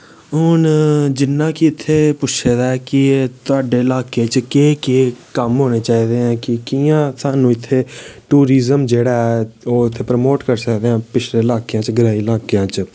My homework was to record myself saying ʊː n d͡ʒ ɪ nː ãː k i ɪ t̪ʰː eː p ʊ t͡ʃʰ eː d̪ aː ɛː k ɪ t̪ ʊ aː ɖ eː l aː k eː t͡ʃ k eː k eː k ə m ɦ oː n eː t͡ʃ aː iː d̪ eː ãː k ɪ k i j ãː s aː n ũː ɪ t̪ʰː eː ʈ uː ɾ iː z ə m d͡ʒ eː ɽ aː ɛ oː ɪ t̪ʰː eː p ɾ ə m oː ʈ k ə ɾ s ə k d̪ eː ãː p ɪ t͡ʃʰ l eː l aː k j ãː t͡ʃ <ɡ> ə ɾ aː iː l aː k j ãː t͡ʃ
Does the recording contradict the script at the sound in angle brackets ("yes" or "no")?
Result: no